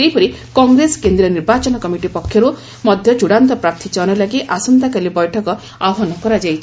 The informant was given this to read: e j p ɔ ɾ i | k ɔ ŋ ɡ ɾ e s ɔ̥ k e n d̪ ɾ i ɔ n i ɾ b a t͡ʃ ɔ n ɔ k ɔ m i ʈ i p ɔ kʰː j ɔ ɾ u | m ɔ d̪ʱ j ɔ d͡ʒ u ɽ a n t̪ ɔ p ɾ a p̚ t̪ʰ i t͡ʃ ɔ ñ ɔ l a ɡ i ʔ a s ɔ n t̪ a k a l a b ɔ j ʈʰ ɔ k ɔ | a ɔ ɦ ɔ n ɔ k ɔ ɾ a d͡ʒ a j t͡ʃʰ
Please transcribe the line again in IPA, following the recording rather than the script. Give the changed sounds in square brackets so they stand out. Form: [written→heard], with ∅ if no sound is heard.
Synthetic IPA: e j p ɔ ɾ i | k ɔ ŋ ɡ ɾ e s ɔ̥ k e n d̪ ɾ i ɔ n i ɾ b a t͡ʃ ɔ n ɔ k ɔ m i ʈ i p ɔ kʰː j ɔ ɾ u | m ɔ d̪ʱ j ɔ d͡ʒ u ɽ a n t̪ ɔ p ɾ a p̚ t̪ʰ i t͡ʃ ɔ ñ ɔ l a ɡ i ʔ a s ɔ n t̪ a k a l [a→i] b ɔ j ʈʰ ɔ k ɔ | a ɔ ɦ ɔ n ɔ k ɔ ɾ a d͡ʒ a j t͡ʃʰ